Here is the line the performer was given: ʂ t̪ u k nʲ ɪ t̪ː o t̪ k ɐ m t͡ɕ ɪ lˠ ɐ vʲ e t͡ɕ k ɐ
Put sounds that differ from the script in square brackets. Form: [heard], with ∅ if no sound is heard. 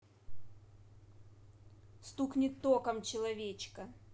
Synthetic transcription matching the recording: [s] t̪ u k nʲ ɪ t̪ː o [∅] k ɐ m t͡ɕ ɪ lˠ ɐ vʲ e t͡ɕ k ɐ